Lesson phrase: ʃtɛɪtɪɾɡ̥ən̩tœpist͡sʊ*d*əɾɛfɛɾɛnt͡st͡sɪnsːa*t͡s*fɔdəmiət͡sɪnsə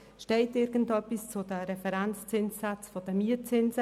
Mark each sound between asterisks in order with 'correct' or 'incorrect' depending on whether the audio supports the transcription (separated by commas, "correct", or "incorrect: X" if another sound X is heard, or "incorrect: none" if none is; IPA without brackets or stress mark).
correct, correct